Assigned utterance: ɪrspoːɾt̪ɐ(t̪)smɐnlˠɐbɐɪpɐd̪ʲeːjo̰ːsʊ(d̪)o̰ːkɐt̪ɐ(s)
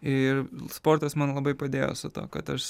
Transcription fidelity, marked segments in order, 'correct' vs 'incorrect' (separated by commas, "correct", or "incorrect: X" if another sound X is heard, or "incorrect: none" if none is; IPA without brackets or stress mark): incorrect: none, incorrect: t̪, incorrect: ʃ